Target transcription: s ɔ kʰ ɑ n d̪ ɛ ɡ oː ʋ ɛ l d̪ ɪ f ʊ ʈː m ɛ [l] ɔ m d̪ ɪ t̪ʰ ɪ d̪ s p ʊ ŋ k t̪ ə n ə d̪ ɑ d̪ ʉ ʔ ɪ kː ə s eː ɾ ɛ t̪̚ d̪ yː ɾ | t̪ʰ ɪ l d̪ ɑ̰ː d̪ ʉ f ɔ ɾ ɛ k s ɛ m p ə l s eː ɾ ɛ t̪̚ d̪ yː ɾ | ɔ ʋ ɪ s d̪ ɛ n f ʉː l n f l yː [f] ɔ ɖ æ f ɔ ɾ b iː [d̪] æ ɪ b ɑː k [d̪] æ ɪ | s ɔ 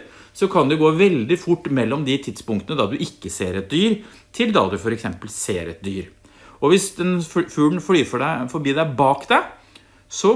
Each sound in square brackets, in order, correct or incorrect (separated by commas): incorrect, correct, correct, correct